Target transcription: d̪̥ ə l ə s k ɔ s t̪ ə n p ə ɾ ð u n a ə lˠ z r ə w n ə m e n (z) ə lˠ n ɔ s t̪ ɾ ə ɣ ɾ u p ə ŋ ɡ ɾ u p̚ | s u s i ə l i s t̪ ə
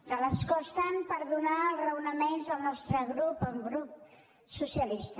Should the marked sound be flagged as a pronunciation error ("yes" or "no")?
no